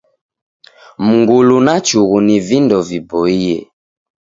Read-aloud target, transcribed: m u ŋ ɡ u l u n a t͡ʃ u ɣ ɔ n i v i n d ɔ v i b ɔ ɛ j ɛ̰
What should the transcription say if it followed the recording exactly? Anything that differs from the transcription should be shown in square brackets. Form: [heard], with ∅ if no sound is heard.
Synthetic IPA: m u ŋ ɡ u l u n a t͡ʃ u ɣ [u] n i v i n d ɔ v i b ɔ [i] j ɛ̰